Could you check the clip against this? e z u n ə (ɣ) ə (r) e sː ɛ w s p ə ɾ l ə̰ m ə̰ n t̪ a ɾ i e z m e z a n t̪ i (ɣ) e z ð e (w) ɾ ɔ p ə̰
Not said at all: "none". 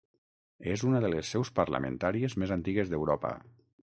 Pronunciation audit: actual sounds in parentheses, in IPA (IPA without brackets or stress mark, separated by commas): ð, l, ɣ, w